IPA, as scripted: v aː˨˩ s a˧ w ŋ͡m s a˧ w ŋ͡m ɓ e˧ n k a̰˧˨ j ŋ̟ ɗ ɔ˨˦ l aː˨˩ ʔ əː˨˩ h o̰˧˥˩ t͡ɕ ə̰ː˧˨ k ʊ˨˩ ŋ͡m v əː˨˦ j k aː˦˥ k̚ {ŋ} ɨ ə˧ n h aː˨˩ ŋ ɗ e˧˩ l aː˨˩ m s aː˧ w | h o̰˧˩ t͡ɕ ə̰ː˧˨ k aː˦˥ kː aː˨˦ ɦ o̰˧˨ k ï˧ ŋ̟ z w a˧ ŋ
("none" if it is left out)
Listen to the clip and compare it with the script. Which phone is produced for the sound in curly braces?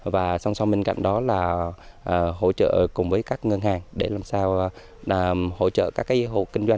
ŋ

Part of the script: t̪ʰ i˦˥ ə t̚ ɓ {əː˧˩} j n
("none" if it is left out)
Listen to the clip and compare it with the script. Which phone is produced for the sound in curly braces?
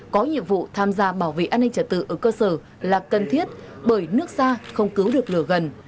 əː˧˩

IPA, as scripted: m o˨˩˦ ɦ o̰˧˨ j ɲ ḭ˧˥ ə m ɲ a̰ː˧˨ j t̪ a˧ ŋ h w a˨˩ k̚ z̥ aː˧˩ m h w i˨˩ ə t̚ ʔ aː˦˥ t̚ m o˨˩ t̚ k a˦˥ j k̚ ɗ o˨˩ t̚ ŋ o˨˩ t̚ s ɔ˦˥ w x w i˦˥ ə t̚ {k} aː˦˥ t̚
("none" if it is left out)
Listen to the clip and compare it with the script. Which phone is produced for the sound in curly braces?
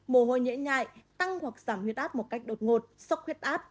ʔ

